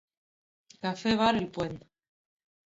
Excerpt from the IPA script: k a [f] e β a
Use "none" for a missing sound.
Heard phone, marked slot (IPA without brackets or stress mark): f